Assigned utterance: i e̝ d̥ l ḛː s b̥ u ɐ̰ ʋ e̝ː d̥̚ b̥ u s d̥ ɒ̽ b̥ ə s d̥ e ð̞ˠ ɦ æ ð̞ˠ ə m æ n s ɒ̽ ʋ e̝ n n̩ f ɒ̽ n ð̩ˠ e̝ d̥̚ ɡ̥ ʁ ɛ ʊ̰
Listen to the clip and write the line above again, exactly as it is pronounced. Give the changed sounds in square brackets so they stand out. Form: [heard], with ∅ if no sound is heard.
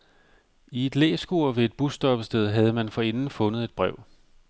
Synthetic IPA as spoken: i e̝ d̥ l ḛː s [ɡ̥] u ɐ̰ ʋ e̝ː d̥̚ b̥ u s d̥ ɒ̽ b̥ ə s d̥ e ð̞ˠ ɦ æ ð̞ˠ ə m æ n [f] ɒ̽ [∅] e̝ n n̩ f [ɔ̽] n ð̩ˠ e̝ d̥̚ [b̥] ʁ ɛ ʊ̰